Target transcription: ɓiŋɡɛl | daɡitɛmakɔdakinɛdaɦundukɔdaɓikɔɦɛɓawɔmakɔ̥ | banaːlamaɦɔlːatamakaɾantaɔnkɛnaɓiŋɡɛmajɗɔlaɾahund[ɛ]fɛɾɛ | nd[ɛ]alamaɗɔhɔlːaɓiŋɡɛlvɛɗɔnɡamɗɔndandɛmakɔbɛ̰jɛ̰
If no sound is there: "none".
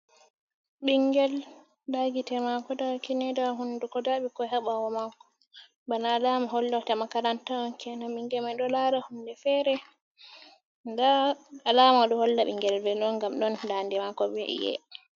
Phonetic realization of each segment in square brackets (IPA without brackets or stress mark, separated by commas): ɛ, a